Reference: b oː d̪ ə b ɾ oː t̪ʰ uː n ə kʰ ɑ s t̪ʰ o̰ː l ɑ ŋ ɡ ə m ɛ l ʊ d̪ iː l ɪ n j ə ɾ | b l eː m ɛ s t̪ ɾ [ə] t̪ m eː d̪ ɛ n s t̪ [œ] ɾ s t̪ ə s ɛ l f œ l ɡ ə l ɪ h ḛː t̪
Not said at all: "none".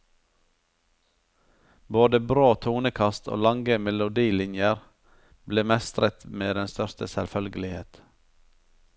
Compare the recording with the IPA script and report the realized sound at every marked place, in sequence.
ə, œ

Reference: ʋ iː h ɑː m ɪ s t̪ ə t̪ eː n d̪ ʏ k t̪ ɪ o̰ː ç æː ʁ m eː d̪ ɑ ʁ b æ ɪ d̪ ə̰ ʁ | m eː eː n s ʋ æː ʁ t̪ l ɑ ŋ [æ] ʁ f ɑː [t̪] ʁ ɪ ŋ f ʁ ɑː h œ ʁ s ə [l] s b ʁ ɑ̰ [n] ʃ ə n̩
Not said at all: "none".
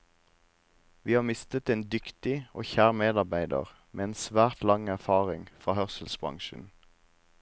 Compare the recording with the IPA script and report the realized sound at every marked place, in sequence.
æ, none, l, ŋ

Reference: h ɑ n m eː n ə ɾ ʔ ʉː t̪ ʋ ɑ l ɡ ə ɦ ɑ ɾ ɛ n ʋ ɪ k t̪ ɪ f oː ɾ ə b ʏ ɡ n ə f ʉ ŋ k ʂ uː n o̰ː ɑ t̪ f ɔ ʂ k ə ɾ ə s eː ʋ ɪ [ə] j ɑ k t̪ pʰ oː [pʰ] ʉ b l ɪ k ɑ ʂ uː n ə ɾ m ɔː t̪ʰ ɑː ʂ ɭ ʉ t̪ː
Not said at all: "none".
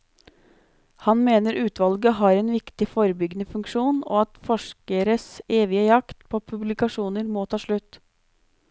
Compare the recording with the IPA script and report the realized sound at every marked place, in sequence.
ə, pʰ

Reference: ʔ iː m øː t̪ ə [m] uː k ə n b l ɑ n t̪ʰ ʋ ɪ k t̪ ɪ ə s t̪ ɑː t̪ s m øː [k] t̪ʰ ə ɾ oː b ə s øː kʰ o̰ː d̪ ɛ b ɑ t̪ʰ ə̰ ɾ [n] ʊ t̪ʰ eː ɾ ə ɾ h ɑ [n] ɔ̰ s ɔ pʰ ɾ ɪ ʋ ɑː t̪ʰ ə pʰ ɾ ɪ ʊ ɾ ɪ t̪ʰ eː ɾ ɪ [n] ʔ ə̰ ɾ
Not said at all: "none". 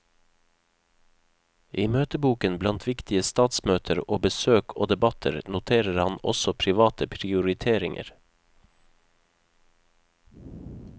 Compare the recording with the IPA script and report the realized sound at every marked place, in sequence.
b, none, n, n, ŋ

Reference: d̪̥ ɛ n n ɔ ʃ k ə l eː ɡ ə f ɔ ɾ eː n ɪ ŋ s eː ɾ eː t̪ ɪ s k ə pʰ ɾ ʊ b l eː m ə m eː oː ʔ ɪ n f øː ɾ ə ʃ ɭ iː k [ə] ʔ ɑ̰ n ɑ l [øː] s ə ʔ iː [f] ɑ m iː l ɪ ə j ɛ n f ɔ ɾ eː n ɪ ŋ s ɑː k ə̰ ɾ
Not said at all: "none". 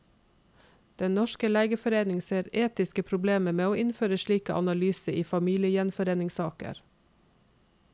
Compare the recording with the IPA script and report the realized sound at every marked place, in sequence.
ə, yː, f

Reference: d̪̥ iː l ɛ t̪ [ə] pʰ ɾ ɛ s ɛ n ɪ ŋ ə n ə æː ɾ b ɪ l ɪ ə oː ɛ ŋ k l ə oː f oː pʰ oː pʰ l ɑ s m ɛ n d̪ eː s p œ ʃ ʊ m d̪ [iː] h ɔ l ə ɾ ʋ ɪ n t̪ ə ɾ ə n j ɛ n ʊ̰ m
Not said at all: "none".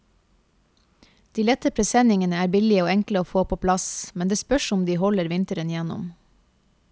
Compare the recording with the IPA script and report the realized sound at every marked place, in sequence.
ə, iː

